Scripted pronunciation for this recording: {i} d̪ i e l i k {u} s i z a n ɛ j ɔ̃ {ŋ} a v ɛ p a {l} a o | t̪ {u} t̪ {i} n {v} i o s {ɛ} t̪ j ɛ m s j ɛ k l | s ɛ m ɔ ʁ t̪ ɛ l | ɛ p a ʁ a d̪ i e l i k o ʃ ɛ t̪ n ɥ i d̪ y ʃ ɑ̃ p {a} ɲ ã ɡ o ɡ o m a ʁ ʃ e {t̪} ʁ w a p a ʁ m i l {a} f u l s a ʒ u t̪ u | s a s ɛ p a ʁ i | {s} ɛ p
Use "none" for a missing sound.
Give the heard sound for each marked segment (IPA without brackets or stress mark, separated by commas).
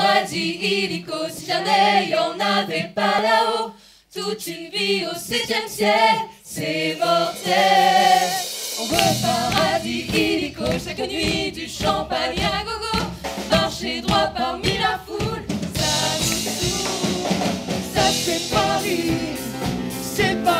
a, o, n, l, u, y, v, ɛ, a, d̪, a, s